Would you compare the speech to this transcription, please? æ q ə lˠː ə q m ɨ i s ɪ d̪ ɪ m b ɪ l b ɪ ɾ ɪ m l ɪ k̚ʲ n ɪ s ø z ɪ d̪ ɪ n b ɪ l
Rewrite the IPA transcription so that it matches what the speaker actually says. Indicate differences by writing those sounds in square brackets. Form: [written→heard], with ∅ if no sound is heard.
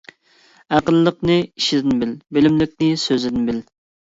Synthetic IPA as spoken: æ q ə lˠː ə q [m→n] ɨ i [s→ʃ] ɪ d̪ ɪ [m→n] b ɪ l b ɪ [ɾ→l] ɪ m l ɪ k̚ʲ n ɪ s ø z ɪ d̪ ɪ n b ɪ l